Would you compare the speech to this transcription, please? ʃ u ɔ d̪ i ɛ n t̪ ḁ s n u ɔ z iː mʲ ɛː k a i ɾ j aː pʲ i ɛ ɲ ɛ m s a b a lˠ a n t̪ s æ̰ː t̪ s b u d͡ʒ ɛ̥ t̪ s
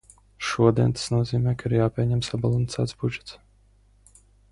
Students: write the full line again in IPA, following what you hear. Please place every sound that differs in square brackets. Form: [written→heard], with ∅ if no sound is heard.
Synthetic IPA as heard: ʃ u ɔ d̪ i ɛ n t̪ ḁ s n u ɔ z iː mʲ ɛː k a i ɾ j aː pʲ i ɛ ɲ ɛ m s a b a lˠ a n t̪ s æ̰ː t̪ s b u d͡ʒ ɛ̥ t̪ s